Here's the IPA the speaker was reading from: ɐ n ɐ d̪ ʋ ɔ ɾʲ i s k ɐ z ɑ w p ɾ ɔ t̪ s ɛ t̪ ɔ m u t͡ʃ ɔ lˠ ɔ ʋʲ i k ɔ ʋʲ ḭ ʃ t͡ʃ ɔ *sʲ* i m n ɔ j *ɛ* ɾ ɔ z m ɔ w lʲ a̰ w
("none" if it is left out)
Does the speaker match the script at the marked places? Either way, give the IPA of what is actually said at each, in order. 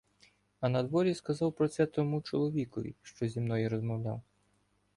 zʲ, i

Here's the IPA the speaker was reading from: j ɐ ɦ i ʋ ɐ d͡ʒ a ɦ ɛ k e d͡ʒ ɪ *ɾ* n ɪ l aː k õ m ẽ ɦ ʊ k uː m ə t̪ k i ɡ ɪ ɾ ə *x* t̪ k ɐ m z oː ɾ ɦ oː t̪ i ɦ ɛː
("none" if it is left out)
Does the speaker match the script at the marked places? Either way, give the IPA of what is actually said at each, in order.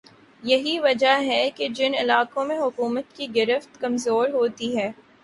none, f

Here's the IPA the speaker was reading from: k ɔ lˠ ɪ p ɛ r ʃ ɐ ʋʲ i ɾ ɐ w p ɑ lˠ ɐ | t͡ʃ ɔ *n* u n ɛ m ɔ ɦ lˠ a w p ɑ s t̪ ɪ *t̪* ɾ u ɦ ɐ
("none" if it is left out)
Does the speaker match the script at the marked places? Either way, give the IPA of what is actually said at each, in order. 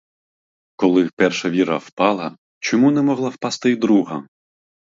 m, d̪

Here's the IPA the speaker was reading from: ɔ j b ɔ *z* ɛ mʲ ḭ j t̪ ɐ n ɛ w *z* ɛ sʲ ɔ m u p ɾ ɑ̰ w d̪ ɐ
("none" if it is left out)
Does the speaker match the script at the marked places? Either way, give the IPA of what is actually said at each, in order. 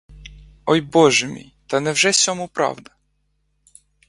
ʒ, ʒ

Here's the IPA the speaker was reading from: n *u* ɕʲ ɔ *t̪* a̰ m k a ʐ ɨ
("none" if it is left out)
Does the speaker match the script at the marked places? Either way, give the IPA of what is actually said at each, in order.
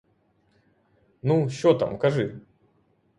u, t̪

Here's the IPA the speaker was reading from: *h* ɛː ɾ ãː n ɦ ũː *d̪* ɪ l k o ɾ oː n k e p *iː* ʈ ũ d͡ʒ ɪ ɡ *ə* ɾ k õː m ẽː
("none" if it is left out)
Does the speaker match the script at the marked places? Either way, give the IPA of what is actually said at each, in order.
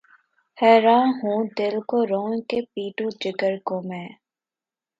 h, d̪, iː, ə

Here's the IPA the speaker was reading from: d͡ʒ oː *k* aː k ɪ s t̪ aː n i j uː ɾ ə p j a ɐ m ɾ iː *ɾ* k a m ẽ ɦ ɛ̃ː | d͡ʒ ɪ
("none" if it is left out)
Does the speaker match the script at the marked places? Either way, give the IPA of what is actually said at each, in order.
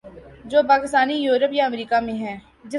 p, none

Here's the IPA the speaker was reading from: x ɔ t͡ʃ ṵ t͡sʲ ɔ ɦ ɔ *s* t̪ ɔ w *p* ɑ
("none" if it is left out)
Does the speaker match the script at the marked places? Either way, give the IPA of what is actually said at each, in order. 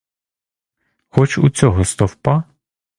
s, p

